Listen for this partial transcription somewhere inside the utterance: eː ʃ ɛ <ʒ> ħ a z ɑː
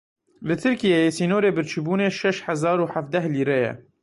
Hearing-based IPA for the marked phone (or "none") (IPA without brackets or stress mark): ʃ